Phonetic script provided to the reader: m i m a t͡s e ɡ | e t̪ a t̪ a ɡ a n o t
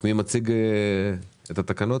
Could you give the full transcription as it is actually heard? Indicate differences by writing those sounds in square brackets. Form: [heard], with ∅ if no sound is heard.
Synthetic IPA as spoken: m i m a t͡s [i] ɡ | e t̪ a t̪ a [k] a n o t